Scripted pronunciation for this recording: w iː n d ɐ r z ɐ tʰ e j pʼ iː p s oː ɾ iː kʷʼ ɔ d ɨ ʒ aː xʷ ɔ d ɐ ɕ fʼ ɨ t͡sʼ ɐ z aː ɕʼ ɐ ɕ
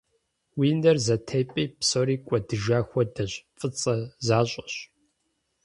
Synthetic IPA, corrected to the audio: w iː n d ɐ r z ɐ tʰ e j pʼ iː p s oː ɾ iː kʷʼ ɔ d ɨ ʒ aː xʷ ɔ d ɐ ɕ fʼ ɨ t͡sʼ ɐ z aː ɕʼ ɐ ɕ